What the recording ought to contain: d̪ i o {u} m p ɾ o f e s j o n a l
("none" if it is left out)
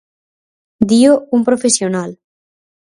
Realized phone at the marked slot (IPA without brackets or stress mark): u